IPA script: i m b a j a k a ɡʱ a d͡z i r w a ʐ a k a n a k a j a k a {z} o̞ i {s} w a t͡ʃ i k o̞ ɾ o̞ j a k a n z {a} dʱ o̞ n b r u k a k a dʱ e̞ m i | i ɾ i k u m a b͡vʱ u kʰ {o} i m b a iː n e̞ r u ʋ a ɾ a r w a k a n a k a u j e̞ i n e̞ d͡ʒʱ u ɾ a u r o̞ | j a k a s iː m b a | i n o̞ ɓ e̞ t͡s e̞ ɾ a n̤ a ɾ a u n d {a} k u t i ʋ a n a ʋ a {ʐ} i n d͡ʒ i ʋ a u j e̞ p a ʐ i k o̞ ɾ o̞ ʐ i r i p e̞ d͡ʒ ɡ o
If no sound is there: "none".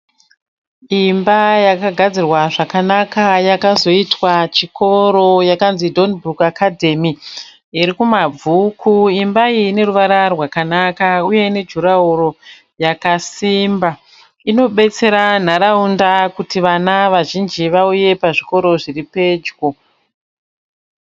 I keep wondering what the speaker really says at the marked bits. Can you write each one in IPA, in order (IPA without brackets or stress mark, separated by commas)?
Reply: z, t, i, u, a, ʒ